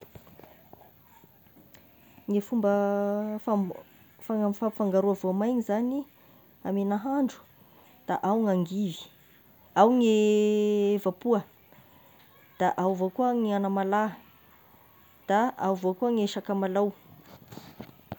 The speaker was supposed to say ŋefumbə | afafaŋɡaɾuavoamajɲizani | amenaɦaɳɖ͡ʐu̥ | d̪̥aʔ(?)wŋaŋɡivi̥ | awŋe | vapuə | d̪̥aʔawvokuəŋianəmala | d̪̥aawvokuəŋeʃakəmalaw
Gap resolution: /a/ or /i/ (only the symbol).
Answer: a